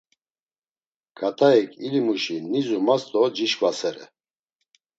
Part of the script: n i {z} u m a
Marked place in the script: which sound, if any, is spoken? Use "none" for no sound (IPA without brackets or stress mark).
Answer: z